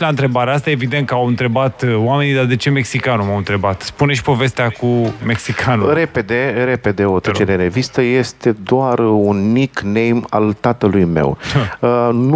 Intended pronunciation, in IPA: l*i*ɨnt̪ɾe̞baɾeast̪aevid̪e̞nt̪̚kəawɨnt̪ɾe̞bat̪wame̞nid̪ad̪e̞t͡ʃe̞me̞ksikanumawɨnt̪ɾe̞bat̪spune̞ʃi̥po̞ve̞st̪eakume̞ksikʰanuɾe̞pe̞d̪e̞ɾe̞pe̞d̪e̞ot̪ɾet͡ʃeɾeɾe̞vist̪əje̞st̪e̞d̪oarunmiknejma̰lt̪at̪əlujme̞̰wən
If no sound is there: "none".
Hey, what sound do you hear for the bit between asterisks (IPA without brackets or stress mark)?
a